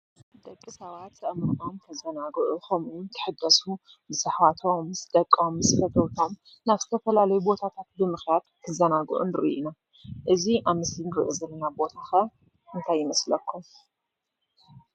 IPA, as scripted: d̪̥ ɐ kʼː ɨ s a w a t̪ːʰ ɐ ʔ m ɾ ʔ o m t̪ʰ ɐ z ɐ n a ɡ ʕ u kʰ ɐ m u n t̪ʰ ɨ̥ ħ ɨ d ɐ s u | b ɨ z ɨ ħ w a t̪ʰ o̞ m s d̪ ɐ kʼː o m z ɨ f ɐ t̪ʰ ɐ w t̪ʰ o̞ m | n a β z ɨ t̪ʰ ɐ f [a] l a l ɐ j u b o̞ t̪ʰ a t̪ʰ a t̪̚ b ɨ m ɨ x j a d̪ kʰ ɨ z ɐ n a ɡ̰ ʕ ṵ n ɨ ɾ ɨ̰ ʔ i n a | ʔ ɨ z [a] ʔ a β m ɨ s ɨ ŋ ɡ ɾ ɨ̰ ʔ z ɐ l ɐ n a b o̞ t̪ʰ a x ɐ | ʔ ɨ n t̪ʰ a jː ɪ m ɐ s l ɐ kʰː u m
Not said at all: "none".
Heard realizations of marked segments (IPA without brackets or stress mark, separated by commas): ɐ, i